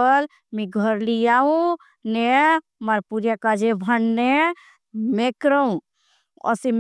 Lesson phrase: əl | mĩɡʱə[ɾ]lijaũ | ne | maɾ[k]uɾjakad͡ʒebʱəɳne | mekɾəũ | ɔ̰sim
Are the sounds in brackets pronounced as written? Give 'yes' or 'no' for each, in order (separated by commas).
yes, no